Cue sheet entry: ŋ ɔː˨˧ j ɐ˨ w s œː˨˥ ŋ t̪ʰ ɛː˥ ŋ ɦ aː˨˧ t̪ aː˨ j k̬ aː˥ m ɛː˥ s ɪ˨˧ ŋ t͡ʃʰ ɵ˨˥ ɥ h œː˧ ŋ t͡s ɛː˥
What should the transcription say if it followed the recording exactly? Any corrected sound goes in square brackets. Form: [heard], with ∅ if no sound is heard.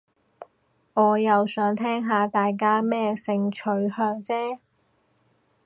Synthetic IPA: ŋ ɔː˨˧ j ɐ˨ w s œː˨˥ ŋ t̪ʰ ɛː˥ ŋ ɦ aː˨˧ t̪ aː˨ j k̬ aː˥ m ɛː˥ s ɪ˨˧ ŋ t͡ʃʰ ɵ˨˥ ɥ h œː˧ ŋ t͡s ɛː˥